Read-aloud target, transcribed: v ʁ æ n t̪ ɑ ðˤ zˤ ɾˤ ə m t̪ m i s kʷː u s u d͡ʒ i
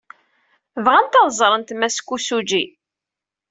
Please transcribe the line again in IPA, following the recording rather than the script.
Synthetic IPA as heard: v ʁ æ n t̪ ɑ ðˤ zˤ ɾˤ ə n t̪ m æ s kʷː u s u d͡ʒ i